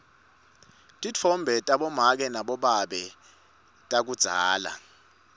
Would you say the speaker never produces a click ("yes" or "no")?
yes